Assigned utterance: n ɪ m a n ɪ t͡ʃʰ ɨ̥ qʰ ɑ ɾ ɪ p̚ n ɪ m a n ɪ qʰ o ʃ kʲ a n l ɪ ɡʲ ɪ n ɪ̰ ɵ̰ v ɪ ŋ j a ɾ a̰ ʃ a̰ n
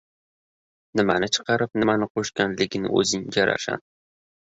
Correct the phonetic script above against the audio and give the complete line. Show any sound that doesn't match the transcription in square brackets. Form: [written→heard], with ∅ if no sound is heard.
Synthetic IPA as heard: n ɪ m a n ɪ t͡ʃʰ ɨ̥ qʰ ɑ ɾ ɪ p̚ n ɪ m a n ɪ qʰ o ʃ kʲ a n l ɪ ɡʲ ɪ n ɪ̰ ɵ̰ [v→z] ɪ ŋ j a ɾ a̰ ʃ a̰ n